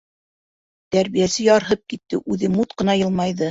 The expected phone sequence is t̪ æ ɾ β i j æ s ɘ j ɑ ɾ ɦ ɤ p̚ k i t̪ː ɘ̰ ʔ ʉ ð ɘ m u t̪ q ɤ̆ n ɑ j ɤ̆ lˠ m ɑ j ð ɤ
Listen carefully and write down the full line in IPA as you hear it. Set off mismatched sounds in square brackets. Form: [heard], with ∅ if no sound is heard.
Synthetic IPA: t̪ æ ɾ β i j æ s ɘ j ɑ ɾ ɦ ɤ p̚ k i t̪ː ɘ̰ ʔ ʉ ð ɘ m u t̪ q ɤ̆ n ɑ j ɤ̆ lˠ m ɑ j ð ɤ